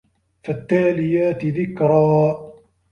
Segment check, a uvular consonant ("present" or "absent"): absent